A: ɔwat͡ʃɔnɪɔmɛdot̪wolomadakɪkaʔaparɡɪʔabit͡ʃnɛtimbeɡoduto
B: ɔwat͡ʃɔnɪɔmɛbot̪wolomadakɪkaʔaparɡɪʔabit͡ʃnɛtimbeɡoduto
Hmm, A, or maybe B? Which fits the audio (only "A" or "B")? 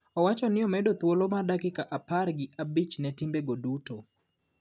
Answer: A